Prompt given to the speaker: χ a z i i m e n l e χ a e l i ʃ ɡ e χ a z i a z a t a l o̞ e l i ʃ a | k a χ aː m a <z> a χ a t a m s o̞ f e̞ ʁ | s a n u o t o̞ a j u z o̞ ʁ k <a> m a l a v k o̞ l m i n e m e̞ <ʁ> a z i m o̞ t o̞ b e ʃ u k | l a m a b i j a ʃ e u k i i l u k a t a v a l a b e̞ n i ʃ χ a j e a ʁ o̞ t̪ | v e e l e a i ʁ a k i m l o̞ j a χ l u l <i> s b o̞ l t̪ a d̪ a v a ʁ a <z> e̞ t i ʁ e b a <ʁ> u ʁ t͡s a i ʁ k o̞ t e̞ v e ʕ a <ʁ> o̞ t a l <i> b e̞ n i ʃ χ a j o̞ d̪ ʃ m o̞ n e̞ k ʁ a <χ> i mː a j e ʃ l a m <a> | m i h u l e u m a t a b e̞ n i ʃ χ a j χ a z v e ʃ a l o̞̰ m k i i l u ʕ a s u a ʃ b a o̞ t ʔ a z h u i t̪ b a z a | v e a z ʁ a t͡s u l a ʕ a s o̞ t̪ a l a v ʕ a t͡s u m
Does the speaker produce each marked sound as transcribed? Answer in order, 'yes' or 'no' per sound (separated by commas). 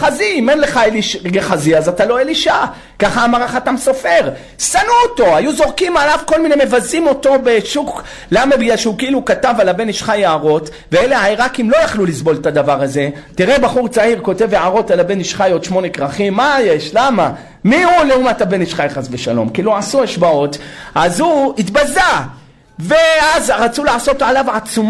no, no, no, yes, yes, no, yes, no, yes, yes